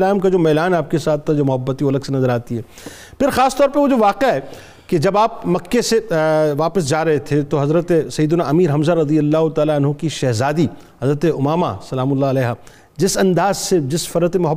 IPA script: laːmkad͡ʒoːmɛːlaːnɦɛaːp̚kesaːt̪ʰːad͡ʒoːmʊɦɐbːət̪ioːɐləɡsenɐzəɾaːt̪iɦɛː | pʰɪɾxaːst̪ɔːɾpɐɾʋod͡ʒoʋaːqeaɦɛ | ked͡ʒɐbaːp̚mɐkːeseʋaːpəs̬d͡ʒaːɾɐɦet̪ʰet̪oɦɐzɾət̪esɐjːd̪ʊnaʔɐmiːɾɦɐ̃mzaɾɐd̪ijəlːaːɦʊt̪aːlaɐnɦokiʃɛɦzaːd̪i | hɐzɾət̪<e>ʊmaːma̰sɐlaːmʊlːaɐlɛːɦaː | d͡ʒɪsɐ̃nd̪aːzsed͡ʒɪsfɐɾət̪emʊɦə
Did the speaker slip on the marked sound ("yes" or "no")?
no